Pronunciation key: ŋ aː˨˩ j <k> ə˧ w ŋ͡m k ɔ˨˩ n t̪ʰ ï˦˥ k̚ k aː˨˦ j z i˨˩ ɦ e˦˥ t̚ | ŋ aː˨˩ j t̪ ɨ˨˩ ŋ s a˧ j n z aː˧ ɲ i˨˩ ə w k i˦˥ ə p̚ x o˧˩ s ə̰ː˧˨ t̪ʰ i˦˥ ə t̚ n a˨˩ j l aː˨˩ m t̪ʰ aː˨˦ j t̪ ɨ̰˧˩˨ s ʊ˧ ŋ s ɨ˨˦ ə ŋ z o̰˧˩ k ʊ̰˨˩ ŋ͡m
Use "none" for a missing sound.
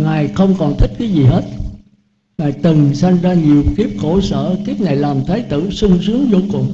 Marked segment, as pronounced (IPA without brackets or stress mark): x